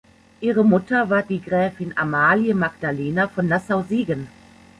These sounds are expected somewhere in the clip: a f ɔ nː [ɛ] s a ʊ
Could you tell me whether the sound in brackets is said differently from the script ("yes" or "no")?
yes